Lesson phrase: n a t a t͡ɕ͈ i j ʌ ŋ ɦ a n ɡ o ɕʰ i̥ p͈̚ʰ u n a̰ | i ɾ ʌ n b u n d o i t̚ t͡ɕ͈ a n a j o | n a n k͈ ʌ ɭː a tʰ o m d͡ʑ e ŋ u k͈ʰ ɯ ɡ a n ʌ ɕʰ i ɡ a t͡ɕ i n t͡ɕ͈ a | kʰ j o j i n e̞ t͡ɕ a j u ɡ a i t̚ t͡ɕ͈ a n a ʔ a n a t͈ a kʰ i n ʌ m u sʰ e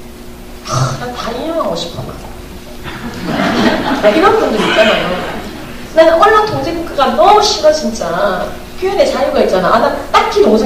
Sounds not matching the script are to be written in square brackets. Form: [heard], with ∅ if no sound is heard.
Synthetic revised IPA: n a t a [∅] i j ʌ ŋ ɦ a [ŋ] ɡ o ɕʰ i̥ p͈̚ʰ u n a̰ | i ɾ ʌ n b u n d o i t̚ t͡ɕ͈ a n a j o | n a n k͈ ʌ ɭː a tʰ o [ŋ] d͡ʑ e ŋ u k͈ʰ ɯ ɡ a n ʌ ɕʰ i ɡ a t͡ɕ i n t͡ɕ͈ a | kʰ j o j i n e̞ t͡ɕ a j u ɡ a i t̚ t͡ɕ͈ a n a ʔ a n a t͈ a kʰ i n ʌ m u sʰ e